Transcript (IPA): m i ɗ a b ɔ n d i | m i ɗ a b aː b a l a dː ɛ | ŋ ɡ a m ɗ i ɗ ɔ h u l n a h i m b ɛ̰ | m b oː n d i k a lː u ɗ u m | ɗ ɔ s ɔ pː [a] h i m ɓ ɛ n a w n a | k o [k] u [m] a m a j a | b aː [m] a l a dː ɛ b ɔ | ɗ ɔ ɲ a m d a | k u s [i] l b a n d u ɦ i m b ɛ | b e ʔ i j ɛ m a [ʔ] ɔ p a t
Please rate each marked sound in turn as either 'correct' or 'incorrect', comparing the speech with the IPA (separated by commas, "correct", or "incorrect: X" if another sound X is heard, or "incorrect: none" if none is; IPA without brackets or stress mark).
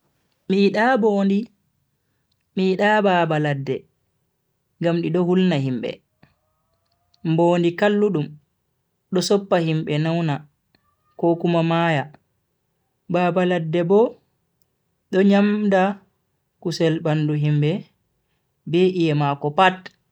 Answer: correct, correct, correct, incorrect: b, incorrect: ɛ, incorrect: k